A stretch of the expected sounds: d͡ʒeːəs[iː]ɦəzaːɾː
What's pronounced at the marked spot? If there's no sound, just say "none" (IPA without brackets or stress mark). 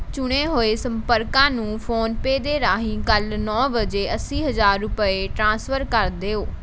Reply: iː